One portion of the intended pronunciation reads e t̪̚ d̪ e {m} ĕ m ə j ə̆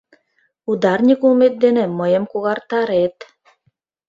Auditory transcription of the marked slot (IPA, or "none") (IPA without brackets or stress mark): n